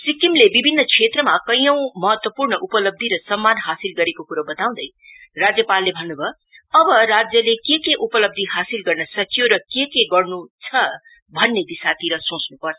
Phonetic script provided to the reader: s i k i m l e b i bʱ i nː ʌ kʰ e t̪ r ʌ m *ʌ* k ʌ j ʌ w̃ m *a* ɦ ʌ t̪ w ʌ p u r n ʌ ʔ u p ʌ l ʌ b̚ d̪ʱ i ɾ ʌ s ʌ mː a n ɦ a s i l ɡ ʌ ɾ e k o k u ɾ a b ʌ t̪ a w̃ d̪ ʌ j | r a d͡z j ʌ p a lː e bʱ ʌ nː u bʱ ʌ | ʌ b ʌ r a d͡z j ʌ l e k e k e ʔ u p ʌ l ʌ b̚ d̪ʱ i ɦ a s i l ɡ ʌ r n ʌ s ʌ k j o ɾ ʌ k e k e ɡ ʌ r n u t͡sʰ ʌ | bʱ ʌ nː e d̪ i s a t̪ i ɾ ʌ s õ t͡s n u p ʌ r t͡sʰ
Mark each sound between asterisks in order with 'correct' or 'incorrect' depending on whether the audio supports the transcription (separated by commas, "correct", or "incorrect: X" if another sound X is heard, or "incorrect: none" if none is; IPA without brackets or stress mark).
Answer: incorrect: a, incorrect: ʌ